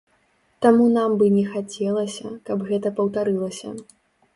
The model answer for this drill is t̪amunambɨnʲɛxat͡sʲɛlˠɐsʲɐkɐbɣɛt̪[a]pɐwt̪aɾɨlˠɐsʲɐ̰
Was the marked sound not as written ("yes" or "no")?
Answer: yes